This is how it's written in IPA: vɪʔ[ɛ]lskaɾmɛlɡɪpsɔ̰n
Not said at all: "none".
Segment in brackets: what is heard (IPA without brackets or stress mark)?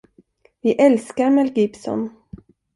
ɛ